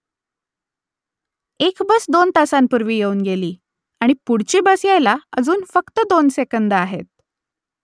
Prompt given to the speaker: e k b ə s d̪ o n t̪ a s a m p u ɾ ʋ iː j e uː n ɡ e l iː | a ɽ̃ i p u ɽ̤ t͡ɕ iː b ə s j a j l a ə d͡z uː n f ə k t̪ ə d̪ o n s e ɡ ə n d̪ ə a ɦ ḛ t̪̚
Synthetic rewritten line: e k b ə s d̪ o n t̪ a s a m p u ɾ ʋ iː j e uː n ɡ e l iː | a ɽ̃ i p u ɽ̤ t͡ɕ iː b ə s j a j l a ə d͡z uː n f ə k t̪ ə d̪ o n s e k ə n d̪ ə a ɦ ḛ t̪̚